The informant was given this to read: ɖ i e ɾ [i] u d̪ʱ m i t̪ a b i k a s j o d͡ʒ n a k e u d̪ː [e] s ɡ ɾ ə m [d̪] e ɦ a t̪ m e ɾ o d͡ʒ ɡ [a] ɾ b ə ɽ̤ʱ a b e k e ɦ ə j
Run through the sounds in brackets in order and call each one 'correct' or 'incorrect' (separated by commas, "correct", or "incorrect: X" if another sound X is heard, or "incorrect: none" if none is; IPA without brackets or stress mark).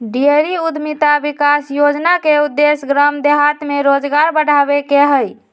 correct, correct, correct, correct